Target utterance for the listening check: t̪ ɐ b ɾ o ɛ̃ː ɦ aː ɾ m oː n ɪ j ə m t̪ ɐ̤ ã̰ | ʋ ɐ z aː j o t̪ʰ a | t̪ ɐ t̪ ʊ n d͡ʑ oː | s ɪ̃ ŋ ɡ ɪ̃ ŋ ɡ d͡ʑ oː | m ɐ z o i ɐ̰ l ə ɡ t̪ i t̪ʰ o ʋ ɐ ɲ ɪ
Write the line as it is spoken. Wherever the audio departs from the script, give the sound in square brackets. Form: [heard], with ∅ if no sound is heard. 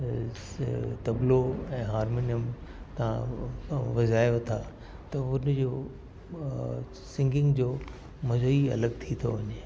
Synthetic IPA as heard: t̪ ɐ b [l] o ɛ̃ː ɦ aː ɾ m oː n [i] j ə m t̪ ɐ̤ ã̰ | ʋ ɐ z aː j o t̪ʰ a | t̪ ɐ [∅] ʊ n d͡ʑ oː | s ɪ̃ ŋ ɡ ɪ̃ ŋ ɡ d͡ʑ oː | m ɐ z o i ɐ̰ l ə ɡ [t̪ʰ] i t̪ʰ o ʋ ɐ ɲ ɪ